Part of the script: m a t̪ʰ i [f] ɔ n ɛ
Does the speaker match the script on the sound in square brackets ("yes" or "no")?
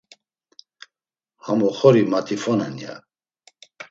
yes